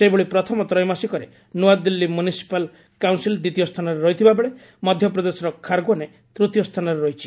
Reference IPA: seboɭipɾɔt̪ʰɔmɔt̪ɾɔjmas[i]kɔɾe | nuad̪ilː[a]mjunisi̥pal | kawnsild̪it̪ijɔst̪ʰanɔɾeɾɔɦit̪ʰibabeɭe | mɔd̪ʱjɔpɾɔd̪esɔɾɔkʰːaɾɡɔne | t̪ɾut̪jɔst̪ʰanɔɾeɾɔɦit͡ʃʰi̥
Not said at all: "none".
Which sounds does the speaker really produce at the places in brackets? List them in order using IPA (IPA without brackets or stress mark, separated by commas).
i, i